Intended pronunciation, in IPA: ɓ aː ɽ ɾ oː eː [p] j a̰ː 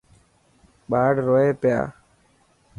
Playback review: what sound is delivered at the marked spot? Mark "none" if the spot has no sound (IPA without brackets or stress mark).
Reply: p